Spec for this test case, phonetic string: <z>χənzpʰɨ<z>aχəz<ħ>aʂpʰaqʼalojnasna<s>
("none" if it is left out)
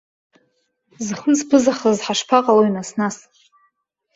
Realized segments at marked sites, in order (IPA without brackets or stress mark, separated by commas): z, z, ħ, s